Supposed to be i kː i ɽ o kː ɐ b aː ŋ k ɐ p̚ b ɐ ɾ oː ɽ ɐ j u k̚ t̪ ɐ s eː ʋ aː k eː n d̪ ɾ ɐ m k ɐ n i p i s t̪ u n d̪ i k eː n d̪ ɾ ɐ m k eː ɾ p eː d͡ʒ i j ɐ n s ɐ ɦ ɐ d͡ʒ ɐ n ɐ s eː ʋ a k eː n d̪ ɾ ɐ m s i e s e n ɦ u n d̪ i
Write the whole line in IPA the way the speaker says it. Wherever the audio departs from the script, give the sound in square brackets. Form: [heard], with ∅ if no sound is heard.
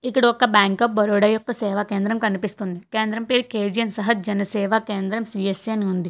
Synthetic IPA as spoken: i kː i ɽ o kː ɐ b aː ŋ k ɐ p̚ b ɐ ɾ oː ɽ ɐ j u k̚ t̪ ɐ s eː ʋ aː k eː n d̪ ɾ ɐ m k ɐ n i p i s t̪ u n d̪ i k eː n d̪ ɾ ɐ m [p] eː ɾ [k] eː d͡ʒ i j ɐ n s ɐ ɦ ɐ d͡ʒ ɐ n ɐ s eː ʋ a k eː n d̪ ɾ ɐ m s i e s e n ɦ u n d̪ i